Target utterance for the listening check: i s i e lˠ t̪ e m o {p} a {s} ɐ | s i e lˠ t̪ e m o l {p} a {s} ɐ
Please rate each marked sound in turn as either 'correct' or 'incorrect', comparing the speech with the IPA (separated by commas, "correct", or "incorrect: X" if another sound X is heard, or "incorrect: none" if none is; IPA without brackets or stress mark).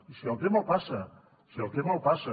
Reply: correct, correct, correct, correct